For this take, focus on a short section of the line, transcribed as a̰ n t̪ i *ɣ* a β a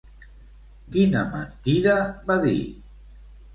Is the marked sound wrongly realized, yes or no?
yes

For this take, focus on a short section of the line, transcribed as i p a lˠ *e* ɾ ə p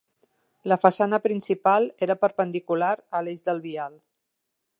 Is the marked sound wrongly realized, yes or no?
no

